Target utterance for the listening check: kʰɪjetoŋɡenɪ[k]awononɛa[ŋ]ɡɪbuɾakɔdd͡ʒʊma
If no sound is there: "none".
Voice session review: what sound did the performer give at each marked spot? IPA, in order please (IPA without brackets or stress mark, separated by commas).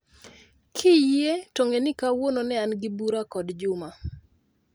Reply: k, n